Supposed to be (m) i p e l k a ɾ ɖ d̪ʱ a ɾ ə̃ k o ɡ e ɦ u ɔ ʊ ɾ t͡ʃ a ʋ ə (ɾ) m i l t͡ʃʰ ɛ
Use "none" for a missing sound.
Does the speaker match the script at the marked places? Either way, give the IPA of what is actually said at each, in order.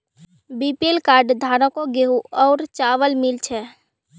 b, l

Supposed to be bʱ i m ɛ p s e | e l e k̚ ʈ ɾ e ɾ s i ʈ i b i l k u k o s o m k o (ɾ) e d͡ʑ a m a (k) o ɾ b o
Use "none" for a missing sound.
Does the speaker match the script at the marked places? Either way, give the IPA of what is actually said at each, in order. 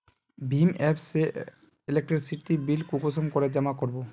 ɾ, k

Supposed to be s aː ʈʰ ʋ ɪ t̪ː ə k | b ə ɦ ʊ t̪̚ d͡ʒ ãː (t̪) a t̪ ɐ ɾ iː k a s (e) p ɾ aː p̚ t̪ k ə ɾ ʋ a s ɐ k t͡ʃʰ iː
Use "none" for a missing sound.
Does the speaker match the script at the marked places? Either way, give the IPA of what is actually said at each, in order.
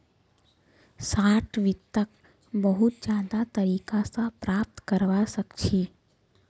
d̪, a

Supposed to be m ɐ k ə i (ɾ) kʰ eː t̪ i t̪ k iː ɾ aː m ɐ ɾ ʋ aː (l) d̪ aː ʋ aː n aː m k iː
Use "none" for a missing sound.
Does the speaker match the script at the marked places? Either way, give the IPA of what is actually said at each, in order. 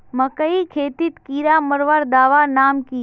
none, ɾ

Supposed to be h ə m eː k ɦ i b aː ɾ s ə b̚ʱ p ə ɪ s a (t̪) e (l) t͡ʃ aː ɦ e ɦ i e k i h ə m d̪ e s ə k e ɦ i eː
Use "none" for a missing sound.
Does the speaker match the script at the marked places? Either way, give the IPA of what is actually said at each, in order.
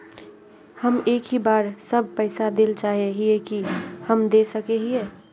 d̪, l

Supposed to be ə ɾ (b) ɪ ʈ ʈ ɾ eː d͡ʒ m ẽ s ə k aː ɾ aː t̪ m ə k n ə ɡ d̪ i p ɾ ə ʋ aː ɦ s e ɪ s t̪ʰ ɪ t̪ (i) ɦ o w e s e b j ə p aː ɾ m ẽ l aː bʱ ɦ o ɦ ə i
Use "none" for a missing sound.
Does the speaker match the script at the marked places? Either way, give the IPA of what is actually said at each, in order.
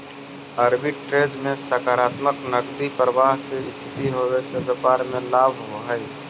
b, i

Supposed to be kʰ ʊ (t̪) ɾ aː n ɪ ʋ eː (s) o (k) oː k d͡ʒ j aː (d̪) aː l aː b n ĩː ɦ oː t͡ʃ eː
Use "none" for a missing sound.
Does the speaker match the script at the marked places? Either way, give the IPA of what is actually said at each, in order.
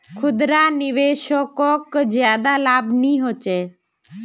d̪, ʃ, k, d̪

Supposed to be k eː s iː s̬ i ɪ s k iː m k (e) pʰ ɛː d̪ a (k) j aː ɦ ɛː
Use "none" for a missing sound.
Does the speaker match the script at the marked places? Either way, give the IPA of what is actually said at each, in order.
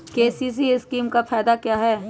a, k

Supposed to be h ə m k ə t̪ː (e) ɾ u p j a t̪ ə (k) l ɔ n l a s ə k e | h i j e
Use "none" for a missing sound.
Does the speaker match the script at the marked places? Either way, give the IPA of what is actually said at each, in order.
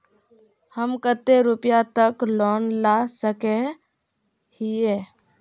e, k

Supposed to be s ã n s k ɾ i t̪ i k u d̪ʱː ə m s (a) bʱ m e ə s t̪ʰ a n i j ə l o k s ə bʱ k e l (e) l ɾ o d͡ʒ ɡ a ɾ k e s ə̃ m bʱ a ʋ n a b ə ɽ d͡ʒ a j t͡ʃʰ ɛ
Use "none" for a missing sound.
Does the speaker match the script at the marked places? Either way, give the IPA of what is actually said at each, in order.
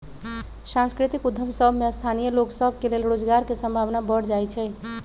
ə, e

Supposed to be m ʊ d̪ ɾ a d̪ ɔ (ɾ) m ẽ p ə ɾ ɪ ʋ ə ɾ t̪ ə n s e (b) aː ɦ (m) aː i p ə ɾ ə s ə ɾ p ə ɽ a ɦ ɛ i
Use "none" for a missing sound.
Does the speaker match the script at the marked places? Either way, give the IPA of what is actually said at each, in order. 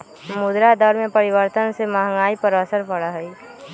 ɾ, m, ŋ

